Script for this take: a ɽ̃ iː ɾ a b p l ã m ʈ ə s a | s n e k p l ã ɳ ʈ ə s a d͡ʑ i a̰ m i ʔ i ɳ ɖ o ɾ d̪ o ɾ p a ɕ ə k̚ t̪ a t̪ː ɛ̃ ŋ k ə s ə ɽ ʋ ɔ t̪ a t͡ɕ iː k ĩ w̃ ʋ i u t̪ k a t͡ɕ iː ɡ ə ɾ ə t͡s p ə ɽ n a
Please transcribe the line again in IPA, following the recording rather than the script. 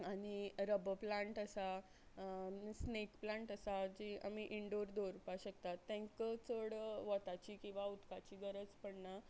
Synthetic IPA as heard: a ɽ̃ i ɾ ə b p l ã ɳ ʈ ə s a | s n e k p l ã ɳ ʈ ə s a d͡ʑ i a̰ m i ʔ i ɳ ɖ o ɾ d̪ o ɾ p a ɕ ə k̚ t̪ a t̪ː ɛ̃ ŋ k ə t͡s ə ɽ ʋ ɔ t̪ a t͡ɕ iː k ĩ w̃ ʋ a u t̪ k a t͡ɕ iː ɡ ə ɾ ə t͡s p ə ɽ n a